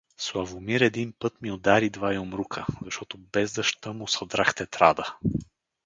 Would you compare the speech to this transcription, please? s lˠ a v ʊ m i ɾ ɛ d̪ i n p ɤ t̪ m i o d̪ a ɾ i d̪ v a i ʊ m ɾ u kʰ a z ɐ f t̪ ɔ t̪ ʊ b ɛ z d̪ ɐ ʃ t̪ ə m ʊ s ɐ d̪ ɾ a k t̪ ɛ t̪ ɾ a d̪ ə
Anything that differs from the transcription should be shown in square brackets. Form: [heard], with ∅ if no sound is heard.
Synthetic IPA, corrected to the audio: s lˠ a v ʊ m i ɾ ɛ d̪ i n p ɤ t̪ m i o d̪ a ɾ i d̪ v a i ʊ m ɾ u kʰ [ə] z ɐ [ʃ] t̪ ɔ t̪ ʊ b ɛ z d̪ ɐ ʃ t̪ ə m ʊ s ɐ d̪ ɾ a [x] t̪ ɛ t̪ ɾ a d̪ ə